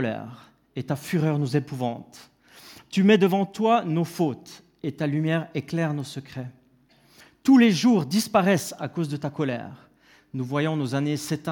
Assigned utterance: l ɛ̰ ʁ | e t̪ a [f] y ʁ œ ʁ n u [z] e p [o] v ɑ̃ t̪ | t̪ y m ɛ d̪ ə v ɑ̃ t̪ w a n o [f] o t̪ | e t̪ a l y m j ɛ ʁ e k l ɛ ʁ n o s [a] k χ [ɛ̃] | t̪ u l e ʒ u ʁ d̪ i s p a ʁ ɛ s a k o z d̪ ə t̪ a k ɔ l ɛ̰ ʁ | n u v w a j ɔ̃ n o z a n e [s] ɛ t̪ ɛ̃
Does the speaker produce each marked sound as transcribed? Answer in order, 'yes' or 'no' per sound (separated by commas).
yes, yes, no, yes, no, no, yes